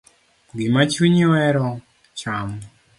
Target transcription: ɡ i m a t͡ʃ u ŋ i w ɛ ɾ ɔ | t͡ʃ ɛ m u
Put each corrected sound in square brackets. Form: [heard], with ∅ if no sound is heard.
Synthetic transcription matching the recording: ɡ i m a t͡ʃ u [ɲ] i w ɛ ɾ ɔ | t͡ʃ [a] m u